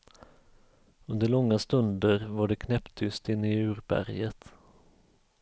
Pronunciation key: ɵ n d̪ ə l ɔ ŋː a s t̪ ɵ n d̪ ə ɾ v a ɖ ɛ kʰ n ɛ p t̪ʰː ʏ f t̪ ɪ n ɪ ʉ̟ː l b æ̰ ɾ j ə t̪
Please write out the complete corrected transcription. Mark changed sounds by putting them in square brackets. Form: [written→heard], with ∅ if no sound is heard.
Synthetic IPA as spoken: ɵ n d̪ ə [l→ɭ] ɔ ŋː a s t̪ ɵ n d̪ ə ɾ v a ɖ ɛ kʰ n ɛ p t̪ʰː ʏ [f→s] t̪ ɪ [n→nː] ɪ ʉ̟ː [l→ɾ] b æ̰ ɾ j ə t̪